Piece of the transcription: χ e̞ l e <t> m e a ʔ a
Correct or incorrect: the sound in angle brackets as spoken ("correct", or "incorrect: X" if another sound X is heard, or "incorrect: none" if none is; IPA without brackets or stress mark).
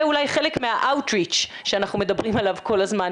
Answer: incorrect: k